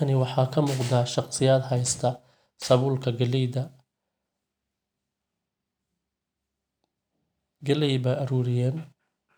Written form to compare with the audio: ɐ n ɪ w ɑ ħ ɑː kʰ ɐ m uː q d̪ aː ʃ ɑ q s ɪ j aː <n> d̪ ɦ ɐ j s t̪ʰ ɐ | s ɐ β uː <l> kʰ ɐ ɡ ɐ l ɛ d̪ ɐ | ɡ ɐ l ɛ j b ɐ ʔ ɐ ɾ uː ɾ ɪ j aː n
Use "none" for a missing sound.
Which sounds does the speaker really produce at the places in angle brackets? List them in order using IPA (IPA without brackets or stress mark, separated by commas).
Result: none, l